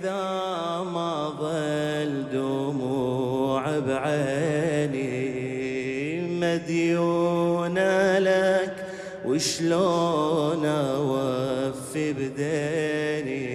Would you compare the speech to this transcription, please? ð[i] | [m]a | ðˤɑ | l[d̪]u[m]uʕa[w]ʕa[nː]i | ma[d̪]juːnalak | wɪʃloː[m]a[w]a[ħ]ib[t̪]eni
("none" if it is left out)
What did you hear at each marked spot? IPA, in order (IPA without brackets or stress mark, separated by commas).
a, m, d̪, m, b, n, d̪, n, w, f, d̪